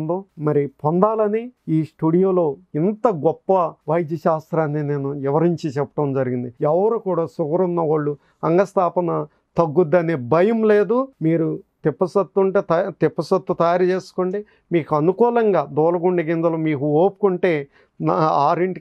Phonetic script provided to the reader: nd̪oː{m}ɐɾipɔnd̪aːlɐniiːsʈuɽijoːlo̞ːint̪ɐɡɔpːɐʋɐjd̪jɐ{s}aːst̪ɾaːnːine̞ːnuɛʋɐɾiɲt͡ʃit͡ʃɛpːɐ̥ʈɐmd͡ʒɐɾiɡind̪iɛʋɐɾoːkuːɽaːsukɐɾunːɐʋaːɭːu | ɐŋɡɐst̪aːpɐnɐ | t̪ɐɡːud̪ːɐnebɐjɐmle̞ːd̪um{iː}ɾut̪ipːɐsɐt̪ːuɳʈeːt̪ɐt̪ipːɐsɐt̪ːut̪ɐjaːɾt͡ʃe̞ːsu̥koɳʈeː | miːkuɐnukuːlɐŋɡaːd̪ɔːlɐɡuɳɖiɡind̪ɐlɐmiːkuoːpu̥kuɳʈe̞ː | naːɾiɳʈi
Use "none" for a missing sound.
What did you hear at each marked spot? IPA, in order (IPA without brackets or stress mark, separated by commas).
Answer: m, ʃ, iː